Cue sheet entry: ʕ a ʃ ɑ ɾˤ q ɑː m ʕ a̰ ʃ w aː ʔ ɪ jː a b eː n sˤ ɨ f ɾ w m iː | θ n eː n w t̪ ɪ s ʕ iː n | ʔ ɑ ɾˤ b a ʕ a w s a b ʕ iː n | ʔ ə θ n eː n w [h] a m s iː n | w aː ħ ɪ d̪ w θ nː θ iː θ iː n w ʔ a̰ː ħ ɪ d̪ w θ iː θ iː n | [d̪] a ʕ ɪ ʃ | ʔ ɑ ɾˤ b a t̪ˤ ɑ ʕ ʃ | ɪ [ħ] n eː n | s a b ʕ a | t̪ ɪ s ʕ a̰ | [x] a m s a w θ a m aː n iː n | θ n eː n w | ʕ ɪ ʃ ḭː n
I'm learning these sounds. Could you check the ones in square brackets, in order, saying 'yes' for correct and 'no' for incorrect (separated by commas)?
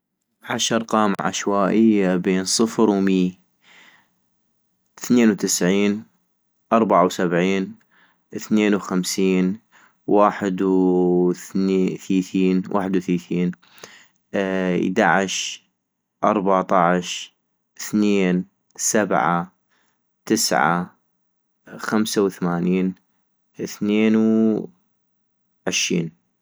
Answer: no, yes, no, yes